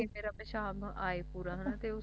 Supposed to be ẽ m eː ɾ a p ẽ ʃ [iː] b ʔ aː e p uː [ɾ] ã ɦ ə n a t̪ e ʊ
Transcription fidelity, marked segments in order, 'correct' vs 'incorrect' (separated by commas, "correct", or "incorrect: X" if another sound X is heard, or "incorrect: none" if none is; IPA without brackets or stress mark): incorrect: aː, correct